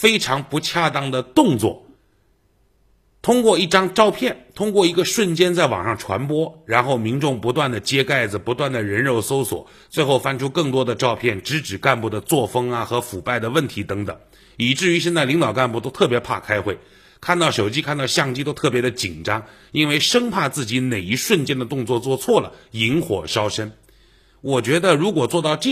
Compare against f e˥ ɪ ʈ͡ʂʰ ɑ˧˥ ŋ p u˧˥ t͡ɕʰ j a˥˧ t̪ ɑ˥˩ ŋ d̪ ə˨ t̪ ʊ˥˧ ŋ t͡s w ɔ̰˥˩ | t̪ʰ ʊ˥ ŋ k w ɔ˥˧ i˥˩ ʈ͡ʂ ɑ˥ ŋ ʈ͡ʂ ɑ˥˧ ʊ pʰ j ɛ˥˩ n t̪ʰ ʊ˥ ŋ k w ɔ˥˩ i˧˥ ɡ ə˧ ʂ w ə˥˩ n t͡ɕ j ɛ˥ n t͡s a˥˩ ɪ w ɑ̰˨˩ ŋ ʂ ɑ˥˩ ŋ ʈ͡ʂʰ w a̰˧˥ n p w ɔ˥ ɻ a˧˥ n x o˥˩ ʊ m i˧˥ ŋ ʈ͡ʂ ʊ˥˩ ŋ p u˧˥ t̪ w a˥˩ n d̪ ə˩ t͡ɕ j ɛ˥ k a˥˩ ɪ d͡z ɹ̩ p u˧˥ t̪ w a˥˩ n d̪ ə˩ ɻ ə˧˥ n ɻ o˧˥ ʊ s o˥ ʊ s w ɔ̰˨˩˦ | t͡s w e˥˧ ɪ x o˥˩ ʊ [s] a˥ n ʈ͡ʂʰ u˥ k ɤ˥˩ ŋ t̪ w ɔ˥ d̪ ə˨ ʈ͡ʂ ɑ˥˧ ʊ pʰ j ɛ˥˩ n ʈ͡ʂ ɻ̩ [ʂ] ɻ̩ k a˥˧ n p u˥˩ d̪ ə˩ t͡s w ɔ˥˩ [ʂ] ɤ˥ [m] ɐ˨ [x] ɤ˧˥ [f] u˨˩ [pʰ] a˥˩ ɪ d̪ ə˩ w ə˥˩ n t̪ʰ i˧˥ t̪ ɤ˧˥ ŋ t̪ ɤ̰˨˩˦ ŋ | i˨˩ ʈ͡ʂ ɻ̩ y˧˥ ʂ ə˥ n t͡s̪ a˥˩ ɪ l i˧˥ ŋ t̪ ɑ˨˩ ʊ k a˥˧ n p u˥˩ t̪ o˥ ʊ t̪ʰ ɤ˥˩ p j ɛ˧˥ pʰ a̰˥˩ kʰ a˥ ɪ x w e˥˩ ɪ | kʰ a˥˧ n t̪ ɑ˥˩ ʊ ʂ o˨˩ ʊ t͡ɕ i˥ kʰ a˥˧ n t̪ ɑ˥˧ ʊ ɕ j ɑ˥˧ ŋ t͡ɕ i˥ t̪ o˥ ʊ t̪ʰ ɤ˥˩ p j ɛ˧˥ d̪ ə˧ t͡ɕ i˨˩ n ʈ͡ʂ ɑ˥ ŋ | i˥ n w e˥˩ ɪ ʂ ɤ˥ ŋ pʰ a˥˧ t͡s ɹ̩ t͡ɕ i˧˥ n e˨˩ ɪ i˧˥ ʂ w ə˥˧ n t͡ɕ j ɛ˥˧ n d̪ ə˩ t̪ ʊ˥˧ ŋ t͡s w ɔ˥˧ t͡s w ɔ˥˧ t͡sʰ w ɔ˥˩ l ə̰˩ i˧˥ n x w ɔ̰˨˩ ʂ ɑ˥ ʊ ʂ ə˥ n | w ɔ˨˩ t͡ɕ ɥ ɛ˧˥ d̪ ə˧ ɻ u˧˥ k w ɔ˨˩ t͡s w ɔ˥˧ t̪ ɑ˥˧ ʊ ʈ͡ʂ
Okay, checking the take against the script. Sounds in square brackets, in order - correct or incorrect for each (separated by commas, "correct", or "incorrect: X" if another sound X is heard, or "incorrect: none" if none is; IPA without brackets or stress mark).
incorrect: f, incorrect: ʈ͡ʂ, incorrect: f, incorrect: ŋ, correct, correct, incorrect: p